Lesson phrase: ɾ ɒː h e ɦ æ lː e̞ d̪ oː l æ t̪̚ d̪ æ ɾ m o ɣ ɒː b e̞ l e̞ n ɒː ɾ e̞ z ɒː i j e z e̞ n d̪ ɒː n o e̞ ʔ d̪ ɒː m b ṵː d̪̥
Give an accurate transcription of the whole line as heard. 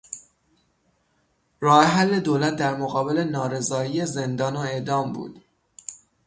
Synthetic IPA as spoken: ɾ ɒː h e ɦ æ lː e̞ d̪ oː l æ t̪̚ d̪ æ ɾ m o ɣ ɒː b e̞ l e̞ n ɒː ɾ e̞ z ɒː i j e z e̞ n d̪ ɒː n o e̞ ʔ d̪ ɒː m b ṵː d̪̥